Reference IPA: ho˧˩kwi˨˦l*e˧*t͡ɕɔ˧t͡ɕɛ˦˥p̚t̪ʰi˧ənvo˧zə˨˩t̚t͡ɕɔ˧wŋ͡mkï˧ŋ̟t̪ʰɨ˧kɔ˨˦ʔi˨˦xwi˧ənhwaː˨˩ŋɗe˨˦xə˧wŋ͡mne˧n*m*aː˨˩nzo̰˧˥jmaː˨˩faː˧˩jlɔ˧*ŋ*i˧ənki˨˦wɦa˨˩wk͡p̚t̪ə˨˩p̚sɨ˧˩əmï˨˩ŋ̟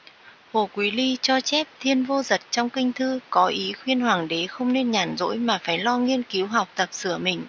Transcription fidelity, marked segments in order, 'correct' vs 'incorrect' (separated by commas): incorrect, incorrect, correct